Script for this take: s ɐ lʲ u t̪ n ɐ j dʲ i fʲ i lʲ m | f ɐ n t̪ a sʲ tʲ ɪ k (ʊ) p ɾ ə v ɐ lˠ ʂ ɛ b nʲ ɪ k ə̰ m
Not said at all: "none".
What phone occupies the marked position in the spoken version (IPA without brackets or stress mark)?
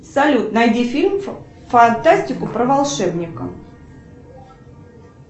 ʊ